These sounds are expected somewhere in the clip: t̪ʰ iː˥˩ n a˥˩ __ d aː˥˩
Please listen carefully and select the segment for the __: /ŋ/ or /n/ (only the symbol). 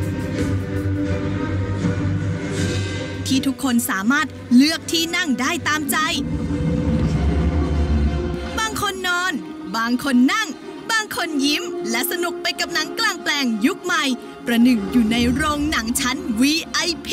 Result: ŋ